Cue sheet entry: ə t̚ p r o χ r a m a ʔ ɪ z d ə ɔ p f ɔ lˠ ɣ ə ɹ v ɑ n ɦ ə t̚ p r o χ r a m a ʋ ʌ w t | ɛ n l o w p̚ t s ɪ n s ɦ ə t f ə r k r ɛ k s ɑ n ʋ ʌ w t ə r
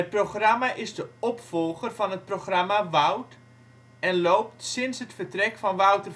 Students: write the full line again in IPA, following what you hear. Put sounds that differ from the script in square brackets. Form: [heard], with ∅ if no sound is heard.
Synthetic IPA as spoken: ə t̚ p r o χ r a m a ʔ ɪ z d ə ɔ p f ɔ lˠ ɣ ə [r] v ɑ n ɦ ə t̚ p r o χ r a m a ʋ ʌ w t | ɛ n l o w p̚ t s ɪ n s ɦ ə t f ə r [t] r ɛ k [f] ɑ n ʋ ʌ w t ə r